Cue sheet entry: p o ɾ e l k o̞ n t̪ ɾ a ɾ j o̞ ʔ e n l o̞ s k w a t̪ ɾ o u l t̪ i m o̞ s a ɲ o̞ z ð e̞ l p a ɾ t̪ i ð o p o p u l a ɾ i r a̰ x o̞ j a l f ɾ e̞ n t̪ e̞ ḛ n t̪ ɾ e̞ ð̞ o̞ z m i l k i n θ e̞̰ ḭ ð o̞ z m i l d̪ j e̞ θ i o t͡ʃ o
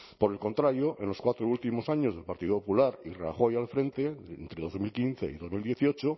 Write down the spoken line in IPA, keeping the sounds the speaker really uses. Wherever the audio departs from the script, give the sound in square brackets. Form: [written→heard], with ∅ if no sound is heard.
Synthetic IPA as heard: p o ɾ e l k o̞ n t̪ ɾ a ɾ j o̞ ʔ e n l o̞ s k w a t̪ ɾ o u l t̪ i m o̞ s a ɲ o̞ z ð e̞ l p a ɾ t̪ i ð o p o p u l a ɾ i r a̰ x o̞ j a l f ɾ e̞ n t̪ e̞ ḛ n t̪ ɾ e̞ ð̞ o̞ z m i l k i n θ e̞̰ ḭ ð o̞ z m i l d̪ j e̞ θ i o t͡ʃ o